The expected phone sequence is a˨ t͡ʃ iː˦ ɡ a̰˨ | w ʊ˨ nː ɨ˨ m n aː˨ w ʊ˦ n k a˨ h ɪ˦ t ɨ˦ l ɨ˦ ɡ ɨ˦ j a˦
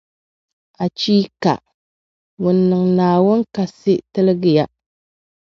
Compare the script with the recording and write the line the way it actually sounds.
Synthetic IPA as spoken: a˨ t͡ʃ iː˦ k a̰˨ | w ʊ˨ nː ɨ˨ ŋ n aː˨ w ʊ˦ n k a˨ s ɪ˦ t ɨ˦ l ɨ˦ ɡ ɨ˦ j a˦